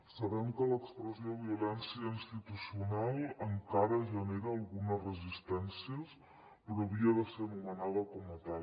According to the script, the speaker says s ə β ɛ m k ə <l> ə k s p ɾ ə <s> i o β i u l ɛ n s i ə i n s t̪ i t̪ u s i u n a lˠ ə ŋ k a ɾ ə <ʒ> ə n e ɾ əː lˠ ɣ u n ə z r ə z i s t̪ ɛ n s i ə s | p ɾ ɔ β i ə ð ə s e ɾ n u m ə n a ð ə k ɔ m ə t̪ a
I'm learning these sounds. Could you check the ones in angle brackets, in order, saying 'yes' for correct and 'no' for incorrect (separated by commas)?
yes, no, yes